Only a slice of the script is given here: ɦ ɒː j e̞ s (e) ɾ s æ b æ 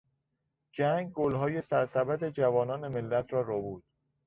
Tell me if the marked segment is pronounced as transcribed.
no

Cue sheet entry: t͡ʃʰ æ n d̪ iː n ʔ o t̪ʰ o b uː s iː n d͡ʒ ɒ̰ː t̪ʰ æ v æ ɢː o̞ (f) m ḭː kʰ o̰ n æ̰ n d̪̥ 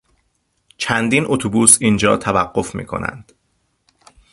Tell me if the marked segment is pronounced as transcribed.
yes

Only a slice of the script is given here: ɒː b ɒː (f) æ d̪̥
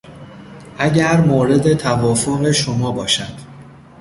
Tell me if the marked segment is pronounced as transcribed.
no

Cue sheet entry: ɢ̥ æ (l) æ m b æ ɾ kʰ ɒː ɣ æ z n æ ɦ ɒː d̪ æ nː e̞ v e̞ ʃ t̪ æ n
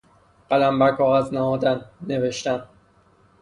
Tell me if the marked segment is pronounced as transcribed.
yes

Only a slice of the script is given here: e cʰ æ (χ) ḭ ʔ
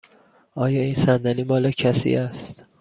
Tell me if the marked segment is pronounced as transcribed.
no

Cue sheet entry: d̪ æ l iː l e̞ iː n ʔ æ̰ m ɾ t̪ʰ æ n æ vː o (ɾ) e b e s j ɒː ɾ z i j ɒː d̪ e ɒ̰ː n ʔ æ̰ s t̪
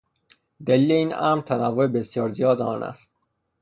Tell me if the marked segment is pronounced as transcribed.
no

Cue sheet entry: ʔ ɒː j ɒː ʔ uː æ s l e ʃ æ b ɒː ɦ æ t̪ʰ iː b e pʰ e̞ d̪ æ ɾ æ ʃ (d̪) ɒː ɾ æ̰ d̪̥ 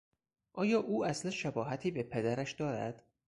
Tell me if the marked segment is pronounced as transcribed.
yes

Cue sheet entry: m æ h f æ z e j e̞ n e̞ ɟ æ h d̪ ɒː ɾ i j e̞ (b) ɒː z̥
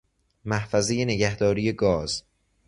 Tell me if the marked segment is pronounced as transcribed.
no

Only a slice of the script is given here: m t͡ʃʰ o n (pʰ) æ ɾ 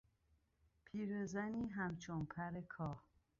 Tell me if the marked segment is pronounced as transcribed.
yes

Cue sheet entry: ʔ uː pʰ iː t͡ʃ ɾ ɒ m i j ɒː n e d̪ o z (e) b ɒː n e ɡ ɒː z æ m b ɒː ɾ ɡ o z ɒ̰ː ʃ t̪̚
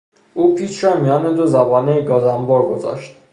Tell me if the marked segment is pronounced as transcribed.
no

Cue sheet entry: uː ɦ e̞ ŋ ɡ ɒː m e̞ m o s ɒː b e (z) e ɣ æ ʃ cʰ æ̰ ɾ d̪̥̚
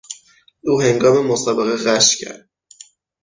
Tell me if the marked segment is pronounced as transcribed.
no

